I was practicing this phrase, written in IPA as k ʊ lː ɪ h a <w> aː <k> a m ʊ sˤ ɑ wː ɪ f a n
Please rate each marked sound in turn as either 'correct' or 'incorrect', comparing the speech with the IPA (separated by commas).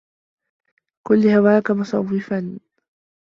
correct, correct